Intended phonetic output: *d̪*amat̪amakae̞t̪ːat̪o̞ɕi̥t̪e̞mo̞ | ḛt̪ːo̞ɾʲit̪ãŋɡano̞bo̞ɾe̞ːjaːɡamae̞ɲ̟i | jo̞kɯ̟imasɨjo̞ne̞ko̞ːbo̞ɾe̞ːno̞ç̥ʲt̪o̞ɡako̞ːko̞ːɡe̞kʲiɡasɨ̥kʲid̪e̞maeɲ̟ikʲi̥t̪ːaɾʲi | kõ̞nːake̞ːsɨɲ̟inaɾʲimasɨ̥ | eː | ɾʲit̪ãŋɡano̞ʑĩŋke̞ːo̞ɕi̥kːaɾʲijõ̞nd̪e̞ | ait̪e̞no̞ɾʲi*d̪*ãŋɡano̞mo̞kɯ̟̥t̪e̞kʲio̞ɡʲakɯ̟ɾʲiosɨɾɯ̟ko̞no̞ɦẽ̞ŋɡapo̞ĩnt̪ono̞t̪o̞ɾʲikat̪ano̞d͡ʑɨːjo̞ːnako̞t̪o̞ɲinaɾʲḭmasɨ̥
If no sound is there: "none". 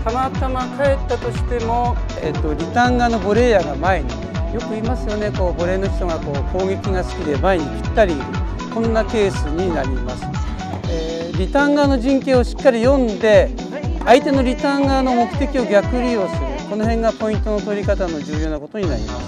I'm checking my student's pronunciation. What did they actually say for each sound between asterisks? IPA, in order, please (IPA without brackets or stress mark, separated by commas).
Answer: t̪, t̪